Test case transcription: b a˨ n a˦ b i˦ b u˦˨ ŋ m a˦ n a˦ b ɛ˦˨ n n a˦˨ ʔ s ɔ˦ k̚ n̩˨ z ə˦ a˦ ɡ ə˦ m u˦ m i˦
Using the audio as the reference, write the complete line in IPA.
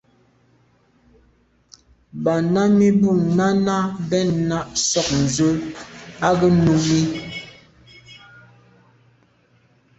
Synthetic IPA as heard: b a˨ n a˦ m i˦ b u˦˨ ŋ n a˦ n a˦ b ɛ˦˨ n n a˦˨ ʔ s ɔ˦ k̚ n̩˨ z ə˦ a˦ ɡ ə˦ n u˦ m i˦